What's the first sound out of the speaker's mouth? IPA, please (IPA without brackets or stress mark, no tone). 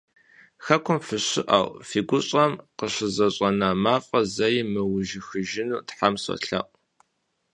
x